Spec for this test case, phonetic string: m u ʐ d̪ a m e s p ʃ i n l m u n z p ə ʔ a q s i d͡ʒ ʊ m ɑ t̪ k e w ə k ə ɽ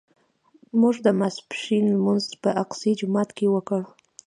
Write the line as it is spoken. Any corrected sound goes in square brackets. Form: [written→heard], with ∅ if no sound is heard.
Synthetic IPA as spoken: m u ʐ d̪ [a→ə] m [e→a] s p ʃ i n l m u n z p ə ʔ a q s i d͡ʒ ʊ m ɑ t̪ k e w ə k ə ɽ